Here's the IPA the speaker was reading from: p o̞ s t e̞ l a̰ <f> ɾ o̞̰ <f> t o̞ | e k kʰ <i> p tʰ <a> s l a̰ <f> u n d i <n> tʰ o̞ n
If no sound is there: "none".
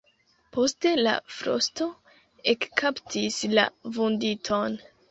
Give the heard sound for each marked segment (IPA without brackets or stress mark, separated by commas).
f, s, a, i, v, none